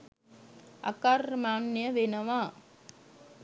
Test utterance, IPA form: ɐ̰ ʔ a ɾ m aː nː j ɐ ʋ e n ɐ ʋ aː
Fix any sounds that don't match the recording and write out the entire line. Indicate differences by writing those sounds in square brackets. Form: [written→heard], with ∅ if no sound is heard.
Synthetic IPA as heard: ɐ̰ [ʔ→k] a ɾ m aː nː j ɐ ʋ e n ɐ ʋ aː